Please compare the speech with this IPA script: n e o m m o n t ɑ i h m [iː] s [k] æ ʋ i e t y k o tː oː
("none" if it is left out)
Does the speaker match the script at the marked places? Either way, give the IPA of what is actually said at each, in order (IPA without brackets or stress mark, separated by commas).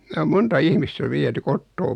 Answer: i, t